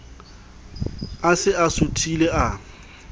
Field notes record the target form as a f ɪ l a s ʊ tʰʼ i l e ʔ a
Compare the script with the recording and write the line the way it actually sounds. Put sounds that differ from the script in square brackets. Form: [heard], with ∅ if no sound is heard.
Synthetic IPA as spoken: a [s] ɪ [∅] a s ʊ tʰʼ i l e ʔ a